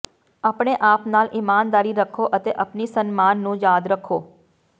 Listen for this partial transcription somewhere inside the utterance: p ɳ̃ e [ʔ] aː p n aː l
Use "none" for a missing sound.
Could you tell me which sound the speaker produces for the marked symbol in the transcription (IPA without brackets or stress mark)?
ʔ